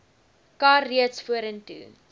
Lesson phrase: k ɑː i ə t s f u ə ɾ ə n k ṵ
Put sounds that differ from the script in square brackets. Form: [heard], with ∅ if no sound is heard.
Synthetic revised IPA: k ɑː i ə t s f u ə ɾ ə n [t] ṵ